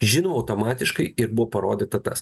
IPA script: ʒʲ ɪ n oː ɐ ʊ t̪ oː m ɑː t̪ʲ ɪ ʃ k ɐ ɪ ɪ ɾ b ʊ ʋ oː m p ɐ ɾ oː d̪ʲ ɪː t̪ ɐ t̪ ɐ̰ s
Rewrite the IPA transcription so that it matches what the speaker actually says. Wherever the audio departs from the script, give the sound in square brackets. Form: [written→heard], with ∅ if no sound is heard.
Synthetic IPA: ʒʲ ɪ n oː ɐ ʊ t̪ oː m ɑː t̪ʲ ɪ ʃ k ɐ ɪ ɪ ɾ b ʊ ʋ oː [m→∅] p ɐ ɾ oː d̪ʲ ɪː t̪ ɐ t̪ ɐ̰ s